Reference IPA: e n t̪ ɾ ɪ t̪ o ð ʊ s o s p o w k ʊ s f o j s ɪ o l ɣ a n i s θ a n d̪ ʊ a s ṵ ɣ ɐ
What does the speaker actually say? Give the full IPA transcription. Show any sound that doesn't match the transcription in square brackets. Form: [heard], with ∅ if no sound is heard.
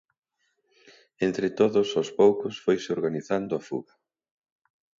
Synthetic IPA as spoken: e n t̪ ɾ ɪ t̪ o ð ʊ s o s p o w k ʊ s f o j s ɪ o [ɾ] ɣ a n i [∅] θ a n d̪ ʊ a [f] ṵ ɣ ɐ